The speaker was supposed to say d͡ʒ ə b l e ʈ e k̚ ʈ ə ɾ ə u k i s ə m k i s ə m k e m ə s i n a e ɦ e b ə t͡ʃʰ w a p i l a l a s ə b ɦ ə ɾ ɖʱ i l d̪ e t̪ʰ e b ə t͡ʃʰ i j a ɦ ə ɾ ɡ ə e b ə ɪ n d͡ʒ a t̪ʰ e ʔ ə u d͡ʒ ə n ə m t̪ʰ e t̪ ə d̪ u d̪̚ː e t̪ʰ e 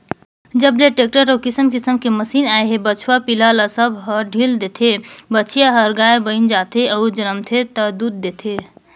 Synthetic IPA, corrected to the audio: d͡ʒ ə b l e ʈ e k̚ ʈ ə ɾ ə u k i s ə m k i s ə m k e m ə s i n a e ɦ e b ə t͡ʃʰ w a p i l a l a s ə b ɦ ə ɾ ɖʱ i l d̪ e t̪ʰ e b ə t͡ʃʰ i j a ɦ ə ɾ ɡ a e b ə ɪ n d͡ʒ a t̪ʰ e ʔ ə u d͡ʒ ə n ə m t̪ʰ e t̪ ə d̪ u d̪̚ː e t̪ʰ e